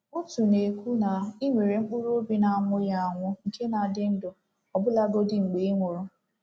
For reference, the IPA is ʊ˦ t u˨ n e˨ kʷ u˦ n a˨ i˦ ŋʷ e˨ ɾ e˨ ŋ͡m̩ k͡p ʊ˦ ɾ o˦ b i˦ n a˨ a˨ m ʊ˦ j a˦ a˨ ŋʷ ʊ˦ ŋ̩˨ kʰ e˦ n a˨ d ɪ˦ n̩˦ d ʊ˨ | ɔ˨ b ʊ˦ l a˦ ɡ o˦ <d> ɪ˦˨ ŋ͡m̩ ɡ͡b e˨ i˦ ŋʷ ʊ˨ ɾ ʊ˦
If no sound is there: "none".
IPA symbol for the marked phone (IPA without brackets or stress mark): d